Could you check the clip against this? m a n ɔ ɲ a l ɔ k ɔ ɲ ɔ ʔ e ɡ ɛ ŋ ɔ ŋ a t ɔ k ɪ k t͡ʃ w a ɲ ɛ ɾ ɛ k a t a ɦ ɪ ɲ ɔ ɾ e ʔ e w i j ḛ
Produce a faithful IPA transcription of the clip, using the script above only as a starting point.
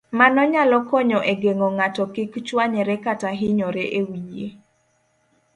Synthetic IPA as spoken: m a n ɔ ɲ a l ɔ k ɔ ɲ ɔ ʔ e ɡ e ŋ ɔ ŋ a t ɔ k ɪ k t͡ʃ w a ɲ ɛ ɾ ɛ k a t a ɦ ɪ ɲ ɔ ɾ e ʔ e w i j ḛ